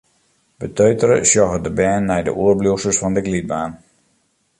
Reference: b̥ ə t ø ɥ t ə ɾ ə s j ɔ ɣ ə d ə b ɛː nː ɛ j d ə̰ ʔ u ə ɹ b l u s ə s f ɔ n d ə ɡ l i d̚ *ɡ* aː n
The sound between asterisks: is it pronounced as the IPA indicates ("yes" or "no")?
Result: no